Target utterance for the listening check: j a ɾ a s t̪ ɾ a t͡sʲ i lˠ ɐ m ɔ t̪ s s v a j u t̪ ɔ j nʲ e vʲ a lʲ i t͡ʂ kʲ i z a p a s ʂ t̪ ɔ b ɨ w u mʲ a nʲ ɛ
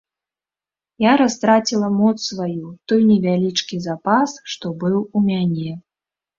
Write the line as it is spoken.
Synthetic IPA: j a ɾ a s t̪ ɾ a t͡sʲ i lˠ ɐ m ɔ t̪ s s v a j u t̪ ɔ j nʲ ɛ vʲ a lʲ i t͡ʂ kʲ i z a p a s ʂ t̪ ɔ b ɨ w u mʲ a nʲ ɛ